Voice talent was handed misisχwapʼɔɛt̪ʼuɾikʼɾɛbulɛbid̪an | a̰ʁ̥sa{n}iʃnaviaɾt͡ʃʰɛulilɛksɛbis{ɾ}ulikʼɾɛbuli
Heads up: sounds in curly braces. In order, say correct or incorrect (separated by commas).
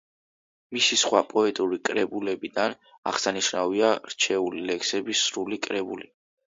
correct, correct